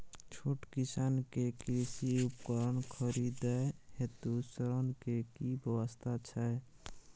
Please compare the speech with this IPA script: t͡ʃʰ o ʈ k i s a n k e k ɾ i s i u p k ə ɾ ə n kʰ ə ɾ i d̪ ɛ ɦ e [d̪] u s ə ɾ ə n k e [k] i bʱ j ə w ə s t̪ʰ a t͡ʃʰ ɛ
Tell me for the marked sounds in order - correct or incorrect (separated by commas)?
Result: incorrect, correct